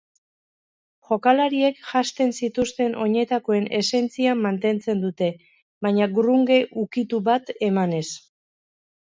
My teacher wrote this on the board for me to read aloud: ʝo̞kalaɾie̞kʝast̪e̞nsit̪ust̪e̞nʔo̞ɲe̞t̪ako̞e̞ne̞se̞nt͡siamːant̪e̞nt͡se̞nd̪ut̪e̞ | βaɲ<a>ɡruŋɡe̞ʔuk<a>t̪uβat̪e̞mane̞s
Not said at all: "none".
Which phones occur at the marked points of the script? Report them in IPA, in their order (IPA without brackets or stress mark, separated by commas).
a, i